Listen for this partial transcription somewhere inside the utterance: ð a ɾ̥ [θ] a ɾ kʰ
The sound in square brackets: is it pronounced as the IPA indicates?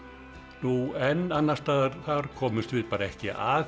yes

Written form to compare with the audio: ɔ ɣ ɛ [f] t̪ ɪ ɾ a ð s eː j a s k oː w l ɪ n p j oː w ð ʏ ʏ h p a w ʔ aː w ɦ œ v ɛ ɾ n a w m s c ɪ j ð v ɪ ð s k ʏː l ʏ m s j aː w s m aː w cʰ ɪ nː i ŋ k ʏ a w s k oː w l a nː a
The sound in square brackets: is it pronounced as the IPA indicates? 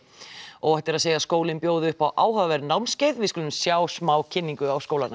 no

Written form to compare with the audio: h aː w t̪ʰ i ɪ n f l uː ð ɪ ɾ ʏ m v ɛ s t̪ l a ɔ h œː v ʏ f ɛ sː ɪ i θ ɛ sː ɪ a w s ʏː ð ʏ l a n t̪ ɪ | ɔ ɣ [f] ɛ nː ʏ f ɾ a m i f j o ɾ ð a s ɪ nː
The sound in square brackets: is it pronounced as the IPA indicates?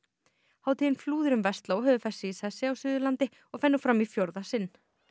yes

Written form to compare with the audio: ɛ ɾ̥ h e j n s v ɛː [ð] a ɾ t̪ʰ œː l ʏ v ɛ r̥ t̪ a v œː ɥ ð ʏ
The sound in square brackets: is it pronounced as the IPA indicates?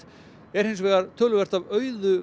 no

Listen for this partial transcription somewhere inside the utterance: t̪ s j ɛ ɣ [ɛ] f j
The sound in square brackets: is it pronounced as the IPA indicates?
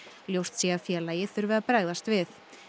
no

